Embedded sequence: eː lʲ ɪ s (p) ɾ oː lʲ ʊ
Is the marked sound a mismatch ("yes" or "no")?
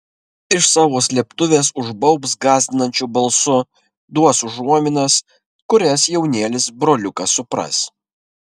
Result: yes